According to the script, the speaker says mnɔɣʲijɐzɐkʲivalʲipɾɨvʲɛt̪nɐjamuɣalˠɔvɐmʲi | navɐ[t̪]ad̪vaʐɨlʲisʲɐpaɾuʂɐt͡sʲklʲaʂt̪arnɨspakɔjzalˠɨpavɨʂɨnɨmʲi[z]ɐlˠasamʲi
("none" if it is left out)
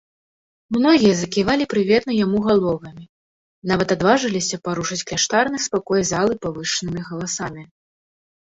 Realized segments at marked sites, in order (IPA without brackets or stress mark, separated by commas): t̪, ɣ